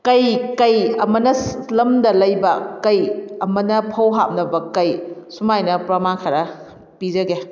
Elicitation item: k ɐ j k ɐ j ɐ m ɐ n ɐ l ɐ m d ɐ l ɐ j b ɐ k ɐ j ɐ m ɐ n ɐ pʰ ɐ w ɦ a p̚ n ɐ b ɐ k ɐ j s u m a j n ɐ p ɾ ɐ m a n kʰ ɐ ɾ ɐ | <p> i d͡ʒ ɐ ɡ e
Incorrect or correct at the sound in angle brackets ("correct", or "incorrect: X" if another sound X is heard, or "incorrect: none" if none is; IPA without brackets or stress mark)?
correct